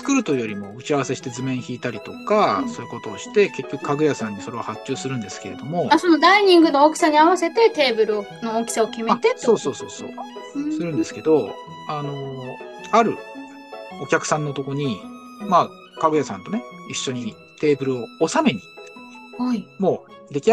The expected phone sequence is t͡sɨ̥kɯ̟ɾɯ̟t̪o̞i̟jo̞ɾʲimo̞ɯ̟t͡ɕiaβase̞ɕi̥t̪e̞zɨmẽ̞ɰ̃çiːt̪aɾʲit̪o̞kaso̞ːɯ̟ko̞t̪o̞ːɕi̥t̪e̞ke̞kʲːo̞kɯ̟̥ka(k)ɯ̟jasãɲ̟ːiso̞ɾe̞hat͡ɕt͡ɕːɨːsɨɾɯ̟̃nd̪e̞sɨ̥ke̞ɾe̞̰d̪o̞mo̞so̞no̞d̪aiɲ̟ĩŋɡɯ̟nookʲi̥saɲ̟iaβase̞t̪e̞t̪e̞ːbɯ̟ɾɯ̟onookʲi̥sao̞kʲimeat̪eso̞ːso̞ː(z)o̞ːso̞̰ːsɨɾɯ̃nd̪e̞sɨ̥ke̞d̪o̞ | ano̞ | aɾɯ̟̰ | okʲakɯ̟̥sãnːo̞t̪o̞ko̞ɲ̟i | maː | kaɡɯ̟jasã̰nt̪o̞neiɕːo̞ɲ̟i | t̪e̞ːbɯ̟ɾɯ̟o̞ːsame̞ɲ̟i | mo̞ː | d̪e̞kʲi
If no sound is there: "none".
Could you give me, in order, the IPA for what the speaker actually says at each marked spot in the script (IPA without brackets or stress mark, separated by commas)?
ɡ, s